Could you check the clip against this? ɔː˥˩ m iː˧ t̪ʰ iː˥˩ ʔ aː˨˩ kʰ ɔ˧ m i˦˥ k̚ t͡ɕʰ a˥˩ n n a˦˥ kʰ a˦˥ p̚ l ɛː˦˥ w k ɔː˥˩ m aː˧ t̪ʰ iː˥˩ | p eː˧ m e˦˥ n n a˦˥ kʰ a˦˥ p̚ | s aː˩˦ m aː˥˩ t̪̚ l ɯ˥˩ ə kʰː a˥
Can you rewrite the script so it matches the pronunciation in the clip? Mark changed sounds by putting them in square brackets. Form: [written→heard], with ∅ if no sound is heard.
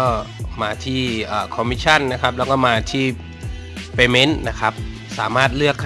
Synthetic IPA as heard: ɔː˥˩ m [iː˧→aː˧] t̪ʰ iː˥˩ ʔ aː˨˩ kʰ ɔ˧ m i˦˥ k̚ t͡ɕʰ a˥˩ n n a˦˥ kʰ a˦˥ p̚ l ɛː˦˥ w k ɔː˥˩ m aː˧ t̪ʰ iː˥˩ | p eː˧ m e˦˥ n n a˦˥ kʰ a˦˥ p̚ | s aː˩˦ m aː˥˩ t̪̚ l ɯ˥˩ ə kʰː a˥